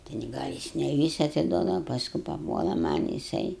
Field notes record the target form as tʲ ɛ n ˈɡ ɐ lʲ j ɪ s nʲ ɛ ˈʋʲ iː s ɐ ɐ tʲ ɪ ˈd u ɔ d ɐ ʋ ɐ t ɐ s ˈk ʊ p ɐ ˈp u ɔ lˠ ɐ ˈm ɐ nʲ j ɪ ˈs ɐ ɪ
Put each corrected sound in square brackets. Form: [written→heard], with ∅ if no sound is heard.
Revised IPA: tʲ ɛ n ˈɡ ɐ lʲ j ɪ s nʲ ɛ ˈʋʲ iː s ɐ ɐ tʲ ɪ ˈd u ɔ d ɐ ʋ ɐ [t→p] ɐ s ˈk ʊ p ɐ ˈp u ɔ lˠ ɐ ˈm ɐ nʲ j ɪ ˈs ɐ ɪ